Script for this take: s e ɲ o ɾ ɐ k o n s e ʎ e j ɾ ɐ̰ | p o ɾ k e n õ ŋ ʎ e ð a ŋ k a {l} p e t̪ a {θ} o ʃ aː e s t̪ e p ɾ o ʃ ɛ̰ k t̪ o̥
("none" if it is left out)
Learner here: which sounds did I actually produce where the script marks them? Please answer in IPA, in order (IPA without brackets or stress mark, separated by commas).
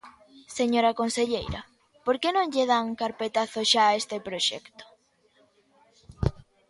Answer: ɾ, θ